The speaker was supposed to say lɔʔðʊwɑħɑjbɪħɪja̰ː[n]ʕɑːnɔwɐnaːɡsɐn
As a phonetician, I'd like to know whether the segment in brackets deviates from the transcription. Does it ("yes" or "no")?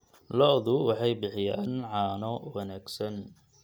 no